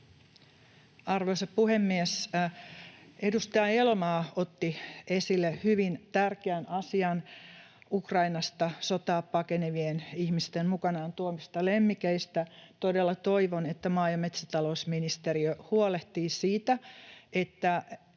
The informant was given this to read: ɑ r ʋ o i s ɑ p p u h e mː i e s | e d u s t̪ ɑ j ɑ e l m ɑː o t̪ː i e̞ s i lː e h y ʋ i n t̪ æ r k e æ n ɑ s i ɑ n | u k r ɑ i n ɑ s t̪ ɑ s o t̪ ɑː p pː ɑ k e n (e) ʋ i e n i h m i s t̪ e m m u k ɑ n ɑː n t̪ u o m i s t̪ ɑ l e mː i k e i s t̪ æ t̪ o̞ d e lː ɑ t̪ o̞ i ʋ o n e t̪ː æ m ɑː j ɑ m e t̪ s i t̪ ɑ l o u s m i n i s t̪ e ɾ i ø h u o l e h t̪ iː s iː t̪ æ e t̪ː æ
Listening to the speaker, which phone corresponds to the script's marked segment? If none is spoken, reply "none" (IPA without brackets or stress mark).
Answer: e